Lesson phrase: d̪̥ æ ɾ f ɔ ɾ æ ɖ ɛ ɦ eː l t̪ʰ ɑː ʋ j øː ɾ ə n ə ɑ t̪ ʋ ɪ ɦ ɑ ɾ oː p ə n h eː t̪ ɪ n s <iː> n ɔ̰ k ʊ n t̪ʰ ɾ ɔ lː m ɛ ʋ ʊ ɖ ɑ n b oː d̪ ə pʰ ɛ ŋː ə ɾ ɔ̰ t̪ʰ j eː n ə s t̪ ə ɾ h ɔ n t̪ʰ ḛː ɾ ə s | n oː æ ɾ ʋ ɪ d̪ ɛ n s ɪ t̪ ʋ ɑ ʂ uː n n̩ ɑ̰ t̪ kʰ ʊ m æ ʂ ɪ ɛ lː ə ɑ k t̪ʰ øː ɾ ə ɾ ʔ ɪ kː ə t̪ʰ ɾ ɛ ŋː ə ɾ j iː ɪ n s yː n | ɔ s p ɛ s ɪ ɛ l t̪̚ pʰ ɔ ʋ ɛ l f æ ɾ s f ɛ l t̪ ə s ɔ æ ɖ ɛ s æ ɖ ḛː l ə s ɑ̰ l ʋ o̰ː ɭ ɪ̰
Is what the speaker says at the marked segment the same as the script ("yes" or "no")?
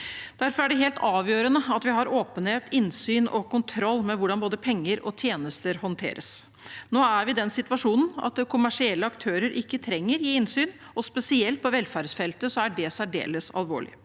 no